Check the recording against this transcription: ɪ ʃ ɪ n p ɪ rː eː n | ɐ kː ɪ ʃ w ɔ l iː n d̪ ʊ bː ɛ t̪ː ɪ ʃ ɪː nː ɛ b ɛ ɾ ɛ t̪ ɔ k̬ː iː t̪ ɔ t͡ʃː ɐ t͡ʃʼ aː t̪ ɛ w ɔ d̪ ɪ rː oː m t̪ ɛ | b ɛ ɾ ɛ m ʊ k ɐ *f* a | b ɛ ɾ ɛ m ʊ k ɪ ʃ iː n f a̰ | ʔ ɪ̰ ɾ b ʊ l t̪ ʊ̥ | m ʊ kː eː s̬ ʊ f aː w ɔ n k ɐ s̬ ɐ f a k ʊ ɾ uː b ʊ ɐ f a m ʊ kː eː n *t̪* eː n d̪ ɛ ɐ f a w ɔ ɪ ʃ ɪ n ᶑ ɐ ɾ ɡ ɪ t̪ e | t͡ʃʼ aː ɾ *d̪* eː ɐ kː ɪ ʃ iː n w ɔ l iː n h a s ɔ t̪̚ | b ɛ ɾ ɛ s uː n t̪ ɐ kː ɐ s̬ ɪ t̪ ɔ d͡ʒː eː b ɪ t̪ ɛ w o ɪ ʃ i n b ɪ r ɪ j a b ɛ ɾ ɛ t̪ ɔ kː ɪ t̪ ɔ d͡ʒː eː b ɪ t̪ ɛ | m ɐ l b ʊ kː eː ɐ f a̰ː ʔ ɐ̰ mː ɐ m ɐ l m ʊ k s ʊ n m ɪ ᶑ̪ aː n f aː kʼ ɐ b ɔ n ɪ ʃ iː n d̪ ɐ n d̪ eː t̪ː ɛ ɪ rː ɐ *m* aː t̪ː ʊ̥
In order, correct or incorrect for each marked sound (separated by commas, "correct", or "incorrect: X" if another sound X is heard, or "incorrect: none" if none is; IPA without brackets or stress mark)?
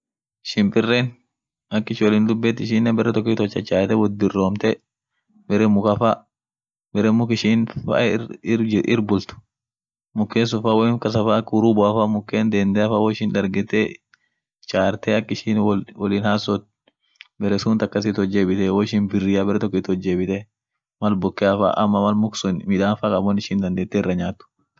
correct, incorrect: d̪, incorrect: t̪, incorrect: ɲ